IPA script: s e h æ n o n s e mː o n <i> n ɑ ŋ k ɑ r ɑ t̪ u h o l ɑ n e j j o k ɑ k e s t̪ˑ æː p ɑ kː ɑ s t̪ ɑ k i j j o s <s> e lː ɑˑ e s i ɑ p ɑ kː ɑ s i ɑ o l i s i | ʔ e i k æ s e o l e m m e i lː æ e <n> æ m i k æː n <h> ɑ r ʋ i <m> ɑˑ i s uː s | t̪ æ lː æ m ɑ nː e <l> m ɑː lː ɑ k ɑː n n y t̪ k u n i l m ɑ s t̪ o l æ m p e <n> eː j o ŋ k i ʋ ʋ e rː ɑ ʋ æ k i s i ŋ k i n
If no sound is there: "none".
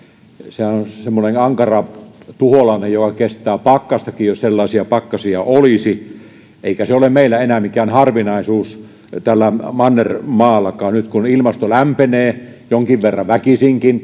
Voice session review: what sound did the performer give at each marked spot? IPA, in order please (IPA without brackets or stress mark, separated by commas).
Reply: e, s, n, h, n, r, n